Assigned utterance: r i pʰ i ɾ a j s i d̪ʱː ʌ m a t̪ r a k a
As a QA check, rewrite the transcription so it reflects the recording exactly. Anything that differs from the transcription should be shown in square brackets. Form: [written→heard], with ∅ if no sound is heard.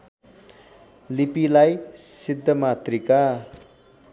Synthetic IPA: [r→l] i [pʰ→p] i [ɾ→l] a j s i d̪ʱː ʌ m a t̪ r [a→i] k a